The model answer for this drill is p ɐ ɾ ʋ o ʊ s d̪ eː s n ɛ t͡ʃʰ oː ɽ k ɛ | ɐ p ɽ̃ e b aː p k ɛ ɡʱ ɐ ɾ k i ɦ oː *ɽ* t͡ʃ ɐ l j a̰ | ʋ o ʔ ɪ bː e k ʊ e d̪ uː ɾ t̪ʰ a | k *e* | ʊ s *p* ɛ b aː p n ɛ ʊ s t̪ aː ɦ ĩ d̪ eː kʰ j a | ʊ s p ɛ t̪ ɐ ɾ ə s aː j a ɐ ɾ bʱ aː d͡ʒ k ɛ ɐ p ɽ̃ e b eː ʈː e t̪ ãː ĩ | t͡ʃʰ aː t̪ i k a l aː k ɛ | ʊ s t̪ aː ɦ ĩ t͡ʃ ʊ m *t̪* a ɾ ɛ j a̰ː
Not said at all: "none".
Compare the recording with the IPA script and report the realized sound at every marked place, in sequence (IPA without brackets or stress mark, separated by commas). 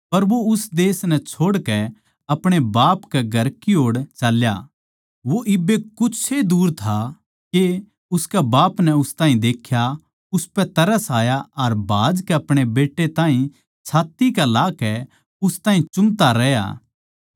ɽ, e, k, t̪